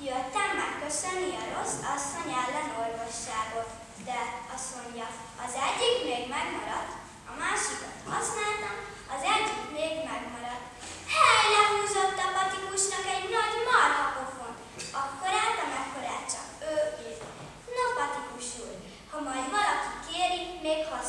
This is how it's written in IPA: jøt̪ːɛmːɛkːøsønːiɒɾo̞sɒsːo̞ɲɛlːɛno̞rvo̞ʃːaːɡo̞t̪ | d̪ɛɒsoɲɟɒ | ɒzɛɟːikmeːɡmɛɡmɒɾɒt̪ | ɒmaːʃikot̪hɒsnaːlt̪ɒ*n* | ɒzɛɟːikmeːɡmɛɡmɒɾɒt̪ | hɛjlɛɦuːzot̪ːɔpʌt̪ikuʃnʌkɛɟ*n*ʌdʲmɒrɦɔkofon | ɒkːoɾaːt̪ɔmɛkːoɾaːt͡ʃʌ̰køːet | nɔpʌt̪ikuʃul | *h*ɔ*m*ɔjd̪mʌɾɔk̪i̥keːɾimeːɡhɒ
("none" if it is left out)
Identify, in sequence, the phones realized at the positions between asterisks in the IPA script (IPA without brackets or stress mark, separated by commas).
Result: m, n, h, m